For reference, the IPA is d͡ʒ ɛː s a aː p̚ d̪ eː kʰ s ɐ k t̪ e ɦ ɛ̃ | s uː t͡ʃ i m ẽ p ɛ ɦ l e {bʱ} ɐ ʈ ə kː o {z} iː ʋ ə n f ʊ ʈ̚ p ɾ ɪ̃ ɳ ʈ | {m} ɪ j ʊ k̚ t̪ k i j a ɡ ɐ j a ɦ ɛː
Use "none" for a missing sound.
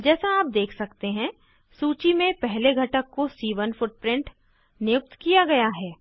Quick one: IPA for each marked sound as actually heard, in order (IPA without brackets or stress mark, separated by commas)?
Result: ɡʱ, s, n